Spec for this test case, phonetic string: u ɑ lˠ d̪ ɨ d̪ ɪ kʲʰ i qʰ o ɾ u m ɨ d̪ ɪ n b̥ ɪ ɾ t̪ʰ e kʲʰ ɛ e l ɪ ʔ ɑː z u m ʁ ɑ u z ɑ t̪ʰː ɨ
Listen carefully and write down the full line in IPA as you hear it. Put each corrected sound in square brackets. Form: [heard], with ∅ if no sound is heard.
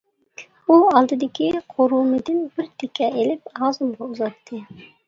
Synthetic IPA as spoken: u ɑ lˠ d̪ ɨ d̪ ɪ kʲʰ i qʰ o ɾ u m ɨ d̪ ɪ n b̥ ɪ ɾ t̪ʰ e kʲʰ ɛ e l ɪ [p] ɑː z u m ʁ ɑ u z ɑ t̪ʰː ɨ